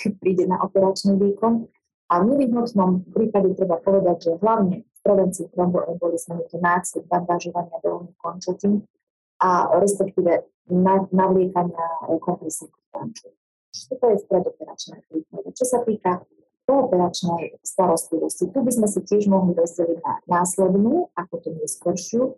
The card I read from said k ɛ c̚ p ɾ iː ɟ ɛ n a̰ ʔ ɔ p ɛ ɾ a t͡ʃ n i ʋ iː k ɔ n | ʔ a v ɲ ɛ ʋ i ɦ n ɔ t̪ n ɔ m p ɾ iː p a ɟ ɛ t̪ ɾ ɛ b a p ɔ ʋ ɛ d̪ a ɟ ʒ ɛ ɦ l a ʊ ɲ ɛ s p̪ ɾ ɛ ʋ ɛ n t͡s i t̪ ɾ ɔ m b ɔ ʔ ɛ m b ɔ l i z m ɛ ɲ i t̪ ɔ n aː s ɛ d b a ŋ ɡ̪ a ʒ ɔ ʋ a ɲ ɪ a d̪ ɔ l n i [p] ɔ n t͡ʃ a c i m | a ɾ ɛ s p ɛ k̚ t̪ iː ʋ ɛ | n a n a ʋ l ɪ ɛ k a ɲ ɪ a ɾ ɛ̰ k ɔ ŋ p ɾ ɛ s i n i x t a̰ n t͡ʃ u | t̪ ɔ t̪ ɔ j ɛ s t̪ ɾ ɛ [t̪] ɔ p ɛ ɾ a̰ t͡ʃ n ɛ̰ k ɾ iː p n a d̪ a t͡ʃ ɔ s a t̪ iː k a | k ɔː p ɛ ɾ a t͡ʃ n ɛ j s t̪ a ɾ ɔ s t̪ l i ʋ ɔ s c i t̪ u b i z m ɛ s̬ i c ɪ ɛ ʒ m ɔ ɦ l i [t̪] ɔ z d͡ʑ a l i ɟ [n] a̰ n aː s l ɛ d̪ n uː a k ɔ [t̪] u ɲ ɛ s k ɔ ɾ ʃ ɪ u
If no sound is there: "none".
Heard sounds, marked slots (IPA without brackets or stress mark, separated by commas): k, d̪, d̪, n, t̪